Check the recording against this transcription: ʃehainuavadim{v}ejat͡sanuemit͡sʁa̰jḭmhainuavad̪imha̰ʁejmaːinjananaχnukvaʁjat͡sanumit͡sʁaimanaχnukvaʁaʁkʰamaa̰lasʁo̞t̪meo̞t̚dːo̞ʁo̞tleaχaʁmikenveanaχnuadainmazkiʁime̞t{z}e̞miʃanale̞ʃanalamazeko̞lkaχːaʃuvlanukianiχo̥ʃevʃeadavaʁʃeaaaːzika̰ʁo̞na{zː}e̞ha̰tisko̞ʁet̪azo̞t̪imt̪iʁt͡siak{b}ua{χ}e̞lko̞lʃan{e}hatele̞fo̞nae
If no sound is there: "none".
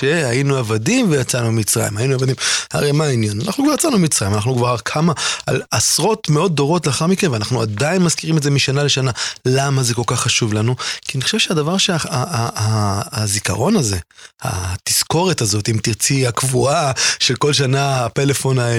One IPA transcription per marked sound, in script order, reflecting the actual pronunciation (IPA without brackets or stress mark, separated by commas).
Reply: v, z, z, v, ʃ, a